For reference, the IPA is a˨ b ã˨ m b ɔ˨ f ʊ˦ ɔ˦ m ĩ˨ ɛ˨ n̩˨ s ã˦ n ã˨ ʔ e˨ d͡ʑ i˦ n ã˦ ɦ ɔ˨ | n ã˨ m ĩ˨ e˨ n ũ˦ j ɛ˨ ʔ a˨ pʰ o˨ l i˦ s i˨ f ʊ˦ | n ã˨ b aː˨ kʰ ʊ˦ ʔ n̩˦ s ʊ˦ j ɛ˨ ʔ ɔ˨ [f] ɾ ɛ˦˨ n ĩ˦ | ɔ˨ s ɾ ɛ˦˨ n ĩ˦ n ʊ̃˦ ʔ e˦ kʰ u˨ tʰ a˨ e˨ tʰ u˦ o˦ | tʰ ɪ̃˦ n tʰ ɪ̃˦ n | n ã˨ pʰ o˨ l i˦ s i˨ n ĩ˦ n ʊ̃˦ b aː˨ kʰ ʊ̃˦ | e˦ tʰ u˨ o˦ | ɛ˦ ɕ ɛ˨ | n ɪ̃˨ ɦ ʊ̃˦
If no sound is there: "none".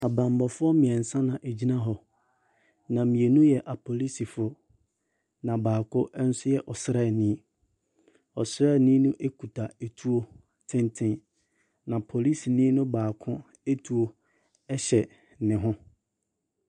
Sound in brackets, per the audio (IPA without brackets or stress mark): s